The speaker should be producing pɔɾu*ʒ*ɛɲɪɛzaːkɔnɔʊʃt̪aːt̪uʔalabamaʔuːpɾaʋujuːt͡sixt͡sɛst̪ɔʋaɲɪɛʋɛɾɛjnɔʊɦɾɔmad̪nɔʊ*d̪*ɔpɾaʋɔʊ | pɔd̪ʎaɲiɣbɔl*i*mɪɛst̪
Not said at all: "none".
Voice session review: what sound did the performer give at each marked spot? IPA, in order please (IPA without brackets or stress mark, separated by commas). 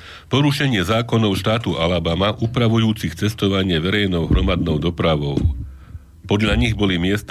ʃ, d̪, i